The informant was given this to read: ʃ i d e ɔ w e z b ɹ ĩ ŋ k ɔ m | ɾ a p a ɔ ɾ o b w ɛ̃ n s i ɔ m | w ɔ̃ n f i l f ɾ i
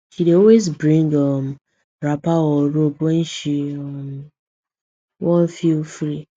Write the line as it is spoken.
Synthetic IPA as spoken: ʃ i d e ɔ w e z b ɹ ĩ ŋ ɡ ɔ m | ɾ a p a ɔ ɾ o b w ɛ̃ n ʃ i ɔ m | w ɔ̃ n f i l f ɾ i